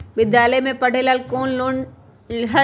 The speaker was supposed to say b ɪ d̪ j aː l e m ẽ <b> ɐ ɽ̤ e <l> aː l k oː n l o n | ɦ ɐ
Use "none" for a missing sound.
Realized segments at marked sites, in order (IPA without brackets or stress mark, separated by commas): p, l